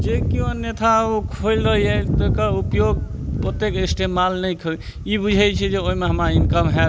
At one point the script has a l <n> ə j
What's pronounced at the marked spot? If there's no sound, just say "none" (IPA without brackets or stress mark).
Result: n